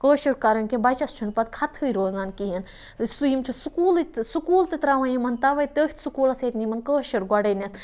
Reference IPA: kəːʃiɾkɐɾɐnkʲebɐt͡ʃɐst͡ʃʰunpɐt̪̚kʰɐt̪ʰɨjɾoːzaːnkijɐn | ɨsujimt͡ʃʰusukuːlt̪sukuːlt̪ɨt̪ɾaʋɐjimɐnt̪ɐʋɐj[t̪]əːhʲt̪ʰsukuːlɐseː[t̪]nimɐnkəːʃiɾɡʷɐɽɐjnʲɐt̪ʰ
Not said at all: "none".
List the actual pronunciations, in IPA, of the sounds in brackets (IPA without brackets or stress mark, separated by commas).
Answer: t̪, t̪